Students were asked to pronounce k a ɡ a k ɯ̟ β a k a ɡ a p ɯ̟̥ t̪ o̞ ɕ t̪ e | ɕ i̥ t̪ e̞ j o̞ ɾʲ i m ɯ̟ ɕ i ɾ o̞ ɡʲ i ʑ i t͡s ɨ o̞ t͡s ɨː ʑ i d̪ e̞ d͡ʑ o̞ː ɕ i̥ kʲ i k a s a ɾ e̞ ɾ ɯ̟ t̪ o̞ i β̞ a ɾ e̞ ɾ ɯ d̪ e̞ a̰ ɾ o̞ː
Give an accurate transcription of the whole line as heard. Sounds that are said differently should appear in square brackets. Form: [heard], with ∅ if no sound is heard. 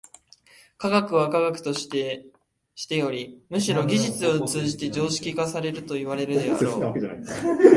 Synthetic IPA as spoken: k a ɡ a k ɯ̟ β a k a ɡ a [k] ɯ̟̥ t̪ o̞ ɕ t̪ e | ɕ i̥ t̪ e̞ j o̞ ɾʲ i m ɯ̟ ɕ i ɾ o̞ ɡʲ i ʑ i t͡s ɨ o̞ t͡s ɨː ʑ i [t̪] e̞ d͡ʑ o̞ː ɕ i̥ kʲ i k a s a ɾ e̞ ɾ ɯ̟ t̪ o̞ i β̞ a ɾ e̞ ɾ ɯ d̪ e̞ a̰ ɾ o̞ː